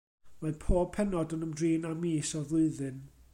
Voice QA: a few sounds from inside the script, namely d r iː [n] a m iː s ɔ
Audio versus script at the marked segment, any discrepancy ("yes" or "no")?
no